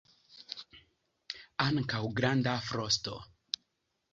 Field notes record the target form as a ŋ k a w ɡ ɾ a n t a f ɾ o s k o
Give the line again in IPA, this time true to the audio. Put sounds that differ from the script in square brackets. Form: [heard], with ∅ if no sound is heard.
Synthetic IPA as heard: a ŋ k a w ɡ ɾ a n [d] a f ɾ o s [t] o